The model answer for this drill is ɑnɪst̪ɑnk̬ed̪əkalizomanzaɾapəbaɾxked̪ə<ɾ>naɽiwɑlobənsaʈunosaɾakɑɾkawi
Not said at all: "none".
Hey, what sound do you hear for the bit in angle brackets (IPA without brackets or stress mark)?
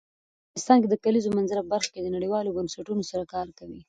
none